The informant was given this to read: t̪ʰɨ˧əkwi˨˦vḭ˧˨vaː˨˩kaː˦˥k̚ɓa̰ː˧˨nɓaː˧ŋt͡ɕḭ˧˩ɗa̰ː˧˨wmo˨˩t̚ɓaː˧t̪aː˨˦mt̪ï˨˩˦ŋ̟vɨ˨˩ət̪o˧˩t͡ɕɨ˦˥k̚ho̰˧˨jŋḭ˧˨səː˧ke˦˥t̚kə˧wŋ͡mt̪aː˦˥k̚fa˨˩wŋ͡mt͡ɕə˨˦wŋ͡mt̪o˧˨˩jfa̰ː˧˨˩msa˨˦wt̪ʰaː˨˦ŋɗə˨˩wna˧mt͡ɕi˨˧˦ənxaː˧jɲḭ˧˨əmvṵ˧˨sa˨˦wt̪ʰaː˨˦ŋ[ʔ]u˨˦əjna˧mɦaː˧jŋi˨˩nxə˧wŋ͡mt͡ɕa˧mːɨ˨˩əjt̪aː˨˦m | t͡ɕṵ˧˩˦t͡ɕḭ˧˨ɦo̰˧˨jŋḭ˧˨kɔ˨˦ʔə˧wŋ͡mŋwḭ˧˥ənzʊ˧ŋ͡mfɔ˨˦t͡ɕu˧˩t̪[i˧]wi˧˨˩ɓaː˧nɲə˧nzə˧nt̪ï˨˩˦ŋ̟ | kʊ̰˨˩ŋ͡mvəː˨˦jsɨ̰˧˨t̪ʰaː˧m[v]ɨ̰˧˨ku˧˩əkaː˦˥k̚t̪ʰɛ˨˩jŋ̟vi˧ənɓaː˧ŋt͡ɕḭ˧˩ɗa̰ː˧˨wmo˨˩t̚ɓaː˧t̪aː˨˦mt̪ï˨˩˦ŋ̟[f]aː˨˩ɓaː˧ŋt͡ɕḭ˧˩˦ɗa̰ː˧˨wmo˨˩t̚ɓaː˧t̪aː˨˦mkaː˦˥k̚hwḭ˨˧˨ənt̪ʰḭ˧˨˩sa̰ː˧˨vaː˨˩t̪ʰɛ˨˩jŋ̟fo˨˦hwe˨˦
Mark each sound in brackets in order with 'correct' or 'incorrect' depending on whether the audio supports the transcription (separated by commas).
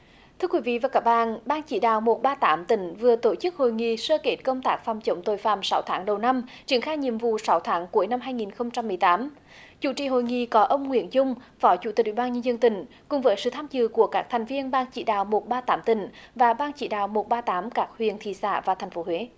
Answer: incorrect, incorrect, incorrect, incorrect